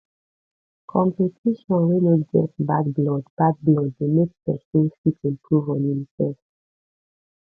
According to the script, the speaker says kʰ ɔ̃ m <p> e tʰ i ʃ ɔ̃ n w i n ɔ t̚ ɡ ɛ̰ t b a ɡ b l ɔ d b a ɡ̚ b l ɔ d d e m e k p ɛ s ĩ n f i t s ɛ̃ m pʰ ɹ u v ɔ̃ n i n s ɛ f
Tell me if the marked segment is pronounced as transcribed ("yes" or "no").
yes